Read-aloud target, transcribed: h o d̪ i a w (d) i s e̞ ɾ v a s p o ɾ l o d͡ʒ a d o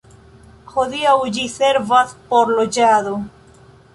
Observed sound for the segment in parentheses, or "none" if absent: d͡ʒ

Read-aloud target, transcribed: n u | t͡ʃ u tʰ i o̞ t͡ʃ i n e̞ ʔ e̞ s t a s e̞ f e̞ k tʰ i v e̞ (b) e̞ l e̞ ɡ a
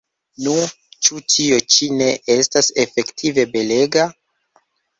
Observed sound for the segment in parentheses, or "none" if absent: b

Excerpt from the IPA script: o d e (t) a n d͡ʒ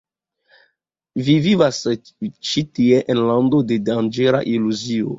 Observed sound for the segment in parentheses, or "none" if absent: d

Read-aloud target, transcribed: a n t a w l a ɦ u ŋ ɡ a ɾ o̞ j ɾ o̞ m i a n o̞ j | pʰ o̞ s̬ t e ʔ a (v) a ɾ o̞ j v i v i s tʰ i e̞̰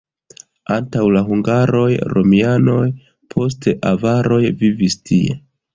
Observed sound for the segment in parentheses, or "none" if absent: v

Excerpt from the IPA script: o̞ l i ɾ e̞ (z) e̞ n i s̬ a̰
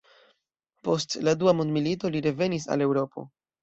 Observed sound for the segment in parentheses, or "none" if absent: v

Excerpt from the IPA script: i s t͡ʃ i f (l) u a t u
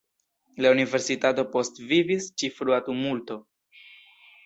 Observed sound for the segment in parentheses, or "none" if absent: ɾ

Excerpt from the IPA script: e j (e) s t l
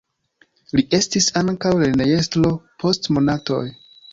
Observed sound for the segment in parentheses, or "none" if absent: e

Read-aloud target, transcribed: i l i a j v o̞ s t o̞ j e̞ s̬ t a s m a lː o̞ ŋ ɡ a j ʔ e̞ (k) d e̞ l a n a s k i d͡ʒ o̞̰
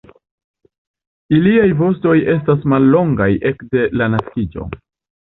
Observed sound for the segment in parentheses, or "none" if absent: k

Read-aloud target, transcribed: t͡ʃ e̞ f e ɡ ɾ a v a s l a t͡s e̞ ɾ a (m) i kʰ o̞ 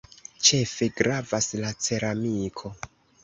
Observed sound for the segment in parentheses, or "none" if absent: m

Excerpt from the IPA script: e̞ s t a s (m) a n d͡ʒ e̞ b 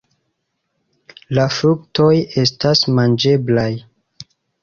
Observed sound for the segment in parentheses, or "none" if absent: m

